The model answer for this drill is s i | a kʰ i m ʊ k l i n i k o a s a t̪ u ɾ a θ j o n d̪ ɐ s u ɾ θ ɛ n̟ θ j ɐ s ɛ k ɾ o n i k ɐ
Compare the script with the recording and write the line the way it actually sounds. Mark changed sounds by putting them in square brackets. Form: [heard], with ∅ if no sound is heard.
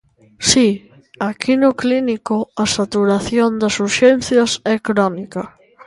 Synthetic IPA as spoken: s i | a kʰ i [n] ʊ k l i n i k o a s a t̪ u ɾ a θ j o n d̪ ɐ s u ɾ [ʃ] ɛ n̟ θ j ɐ s ɛ k ɾ [ɔ] n i k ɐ